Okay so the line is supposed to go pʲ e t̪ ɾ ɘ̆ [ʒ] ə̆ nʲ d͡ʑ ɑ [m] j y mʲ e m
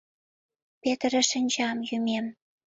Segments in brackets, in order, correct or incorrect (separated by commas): incorrect, correct